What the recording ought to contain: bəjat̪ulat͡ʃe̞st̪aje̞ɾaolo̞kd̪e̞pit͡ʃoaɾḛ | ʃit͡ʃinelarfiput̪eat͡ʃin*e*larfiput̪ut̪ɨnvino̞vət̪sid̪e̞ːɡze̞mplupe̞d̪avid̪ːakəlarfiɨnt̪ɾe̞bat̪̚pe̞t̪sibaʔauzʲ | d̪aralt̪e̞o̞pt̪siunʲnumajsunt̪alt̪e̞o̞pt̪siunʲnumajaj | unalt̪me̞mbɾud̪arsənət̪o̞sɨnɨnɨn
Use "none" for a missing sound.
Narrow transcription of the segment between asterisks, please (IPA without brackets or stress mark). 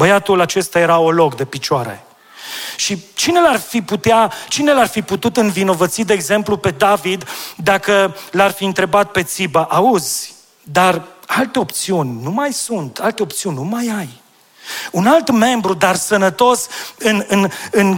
e